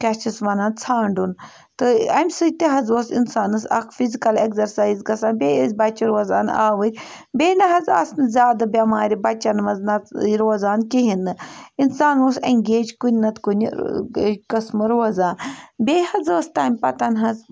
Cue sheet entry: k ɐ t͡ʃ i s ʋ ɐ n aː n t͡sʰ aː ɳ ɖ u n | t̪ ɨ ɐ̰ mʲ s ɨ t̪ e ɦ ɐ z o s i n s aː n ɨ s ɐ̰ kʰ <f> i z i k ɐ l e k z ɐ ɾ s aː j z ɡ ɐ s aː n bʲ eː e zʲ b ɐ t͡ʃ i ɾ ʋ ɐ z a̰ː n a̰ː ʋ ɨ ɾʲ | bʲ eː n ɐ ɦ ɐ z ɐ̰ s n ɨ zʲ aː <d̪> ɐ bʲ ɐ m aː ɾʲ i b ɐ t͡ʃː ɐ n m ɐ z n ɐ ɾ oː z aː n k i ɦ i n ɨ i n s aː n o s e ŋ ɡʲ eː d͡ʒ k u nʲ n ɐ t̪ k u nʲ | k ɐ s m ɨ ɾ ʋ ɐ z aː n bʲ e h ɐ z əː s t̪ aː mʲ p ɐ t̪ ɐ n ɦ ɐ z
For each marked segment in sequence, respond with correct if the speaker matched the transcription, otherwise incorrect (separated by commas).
correct, correct